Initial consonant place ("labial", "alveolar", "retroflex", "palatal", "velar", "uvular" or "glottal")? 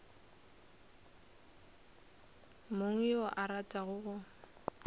labial